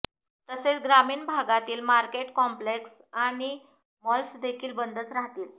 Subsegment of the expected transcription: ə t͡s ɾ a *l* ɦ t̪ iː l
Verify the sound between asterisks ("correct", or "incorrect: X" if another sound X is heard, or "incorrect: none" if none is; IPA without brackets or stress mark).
incorrect: none